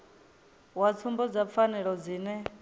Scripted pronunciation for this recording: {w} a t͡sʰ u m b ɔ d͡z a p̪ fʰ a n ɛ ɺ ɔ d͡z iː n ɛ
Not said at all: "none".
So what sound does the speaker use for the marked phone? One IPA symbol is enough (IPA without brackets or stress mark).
w